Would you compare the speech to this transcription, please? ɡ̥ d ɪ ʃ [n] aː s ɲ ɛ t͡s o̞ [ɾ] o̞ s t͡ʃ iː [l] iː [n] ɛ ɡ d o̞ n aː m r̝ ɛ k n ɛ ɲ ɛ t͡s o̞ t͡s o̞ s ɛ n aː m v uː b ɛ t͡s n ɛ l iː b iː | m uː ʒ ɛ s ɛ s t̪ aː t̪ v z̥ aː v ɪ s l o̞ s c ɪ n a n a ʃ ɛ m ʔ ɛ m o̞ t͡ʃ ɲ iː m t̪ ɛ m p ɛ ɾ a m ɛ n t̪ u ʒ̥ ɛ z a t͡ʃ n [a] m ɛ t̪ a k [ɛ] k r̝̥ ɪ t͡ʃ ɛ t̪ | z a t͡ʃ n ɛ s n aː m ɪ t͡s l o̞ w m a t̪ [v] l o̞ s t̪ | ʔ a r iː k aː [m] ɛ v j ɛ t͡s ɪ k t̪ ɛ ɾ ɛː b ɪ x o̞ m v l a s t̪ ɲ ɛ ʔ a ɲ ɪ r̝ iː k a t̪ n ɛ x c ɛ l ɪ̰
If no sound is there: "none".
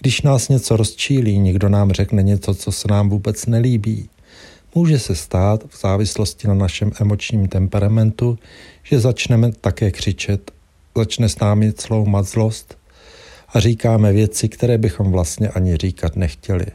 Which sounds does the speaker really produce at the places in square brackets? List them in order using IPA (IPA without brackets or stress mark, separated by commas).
n, ɾ, l, ɲ, ɛ, ɛː, z, m